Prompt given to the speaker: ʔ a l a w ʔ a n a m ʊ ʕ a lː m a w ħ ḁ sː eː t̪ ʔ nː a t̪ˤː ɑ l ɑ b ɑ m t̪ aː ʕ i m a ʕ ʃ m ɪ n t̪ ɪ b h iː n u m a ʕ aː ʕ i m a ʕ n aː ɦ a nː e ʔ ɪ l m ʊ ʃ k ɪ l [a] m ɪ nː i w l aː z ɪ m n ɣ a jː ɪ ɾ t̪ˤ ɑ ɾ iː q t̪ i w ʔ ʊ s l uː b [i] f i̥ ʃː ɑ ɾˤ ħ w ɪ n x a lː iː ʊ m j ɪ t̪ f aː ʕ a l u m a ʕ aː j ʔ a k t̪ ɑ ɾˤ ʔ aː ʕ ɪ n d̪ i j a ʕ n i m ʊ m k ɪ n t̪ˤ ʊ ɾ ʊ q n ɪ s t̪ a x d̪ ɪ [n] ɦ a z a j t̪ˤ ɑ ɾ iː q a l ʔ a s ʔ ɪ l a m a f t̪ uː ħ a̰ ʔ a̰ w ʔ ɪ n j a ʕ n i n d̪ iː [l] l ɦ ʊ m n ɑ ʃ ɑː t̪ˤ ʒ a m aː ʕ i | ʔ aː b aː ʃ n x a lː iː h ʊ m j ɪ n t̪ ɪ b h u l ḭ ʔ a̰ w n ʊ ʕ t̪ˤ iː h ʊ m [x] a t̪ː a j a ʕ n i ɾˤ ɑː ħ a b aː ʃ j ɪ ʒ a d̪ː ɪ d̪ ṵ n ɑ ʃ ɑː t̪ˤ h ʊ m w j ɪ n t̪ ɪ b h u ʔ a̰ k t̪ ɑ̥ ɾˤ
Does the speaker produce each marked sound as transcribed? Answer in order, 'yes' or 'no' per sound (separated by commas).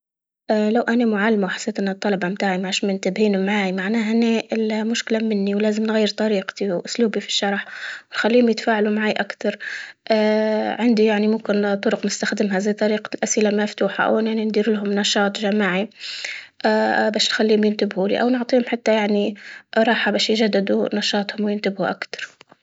yes, yes, no, no, no